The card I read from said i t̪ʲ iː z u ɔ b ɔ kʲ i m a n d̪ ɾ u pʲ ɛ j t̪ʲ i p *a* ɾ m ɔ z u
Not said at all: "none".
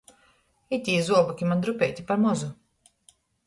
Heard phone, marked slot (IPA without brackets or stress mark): a